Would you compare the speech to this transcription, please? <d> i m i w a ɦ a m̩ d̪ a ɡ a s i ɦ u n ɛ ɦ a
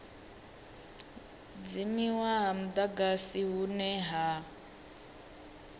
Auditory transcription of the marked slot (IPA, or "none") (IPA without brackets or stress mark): d͡z